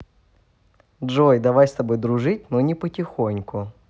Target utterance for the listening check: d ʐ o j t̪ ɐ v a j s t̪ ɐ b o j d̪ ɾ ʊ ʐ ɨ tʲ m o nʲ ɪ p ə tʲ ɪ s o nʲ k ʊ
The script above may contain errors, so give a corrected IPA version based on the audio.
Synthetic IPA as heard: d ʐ o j d̪ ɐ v a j s t̪ ɐ b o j d̪ ɾ ʊ ʐ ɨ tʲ n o nʲ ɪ p ə tʲ ɪ x o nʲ k ʊ